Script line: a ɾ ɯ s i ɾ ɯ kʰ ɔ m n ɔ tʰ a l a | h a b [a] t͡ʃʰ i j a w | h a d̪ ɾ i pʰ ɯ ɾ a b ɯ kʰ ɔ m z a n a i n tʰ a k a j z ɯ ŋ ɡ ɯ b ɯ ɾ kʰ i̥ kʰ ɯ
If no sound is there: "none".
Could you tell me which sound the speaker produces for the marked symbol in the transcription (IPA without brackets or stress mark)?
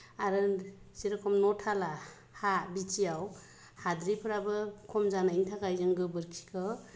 i